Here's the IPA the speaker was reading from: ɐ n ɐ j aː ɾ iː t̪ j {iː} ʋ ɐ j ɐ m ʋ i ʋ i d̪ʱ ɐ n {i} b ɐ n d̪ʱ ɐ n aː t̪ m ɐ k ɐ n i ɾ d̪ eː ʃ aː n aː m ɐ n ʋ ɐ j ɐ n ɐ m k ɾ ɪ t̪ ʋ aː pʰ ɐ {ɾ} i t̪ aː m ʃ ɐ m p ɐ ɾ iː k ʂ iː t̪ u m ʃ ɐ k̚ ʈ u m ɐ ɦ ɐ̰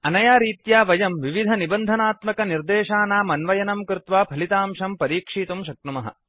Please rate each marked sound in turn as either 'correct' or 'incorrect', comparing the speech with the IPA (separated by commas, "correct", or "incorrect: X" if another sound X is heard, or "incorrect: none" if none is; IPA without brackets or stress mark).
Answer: incorrect: aː, correct, incorrect: l